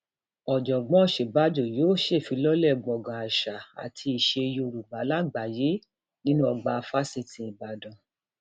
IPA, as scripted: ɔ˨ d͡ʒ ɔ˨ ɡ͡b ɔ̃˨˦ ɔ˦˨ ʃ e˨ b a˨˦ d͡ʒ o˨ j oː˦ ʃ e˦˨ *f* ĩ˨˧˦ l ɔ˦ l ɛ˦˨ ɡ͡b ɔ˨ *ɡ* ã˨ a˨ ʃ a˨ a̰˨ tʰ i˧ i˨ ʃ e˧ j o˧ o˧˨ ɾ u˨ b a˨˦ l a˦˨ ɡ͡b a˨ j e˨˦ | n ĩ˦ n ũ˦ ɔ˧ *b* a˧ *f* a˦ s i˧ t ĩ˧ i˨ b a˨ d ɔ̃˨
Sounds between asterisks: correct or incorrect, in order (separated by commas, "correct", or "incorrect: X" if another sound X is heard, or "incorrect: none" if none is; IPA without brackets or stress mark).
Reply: correct, correct, incorrect: ɡ͡b, correct